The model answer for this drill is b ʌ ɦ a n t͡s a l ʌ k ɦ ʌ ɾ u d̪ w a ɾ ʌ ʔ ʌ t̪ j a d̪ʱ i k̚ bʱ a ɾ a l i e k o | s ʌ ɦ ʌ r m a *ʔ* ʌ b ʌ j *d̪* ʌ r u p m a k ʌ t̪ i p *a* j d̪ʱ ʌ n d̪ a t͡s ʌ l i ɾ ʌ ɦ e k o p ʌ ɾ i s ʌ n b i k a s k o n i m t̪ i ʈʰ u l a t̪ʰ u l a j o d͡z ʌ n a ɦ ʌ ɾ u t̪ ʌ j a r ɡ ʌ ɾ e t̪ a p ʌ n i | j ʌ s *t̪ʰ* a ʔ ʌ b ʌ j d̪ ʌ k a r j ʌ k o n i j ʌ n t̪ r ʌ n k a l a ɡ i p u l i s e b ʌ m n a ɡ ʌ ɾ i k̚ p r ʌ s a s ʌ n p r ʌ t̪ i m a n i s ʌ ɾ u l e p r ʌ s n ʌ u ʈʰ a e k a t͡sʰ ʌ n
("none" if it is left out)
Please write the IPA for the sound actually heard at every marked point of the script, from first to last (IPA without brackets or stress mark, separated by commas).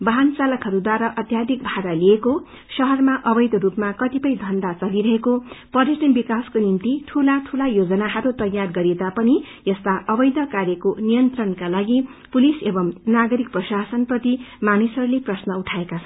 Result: ʔ, d̪, ʌ, t̪